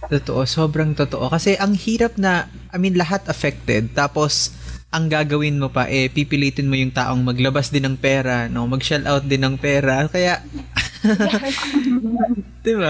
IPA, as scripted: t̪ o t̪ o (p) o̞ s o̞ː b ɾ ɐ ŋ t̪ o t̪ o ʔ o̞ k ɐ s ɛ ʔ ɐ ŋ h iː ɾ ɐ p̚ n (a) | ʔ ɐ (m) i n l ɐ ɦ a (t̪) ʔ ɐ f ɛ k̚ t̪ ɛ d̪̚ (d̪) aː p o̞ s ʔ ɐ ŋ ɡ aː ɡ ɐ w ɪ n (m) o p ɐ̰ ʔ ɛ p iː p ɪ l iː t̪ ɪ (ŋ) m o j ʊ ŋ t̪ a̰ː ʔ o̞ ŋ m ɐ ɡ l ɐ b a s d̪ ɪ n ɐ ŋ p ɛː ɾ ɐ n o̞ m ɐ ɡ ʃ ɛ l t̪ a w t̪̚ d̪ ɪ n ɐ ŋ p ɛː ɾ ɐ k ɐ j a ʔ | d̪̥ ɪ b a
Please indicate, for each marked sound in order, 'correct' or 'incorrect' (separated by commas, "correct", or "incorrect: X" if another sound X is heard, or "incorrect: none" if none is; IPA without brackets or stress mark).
incorrect: ʔ, incorrect: ɐ, correct, correct, incorrect: t̪, correct, incorrect: n